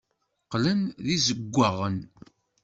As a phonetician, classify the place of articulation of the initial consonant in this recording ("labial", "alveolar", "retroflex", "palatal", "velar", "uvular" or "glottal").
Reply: uvular